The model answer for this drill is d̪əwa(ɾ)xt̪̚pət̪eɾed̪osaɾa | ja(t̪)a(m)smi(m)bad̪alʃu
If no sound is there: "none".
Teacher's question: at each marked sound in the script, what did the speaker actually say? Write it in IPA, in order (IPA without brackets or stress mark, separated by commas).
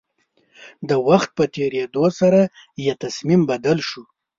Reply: none, t̪, none, m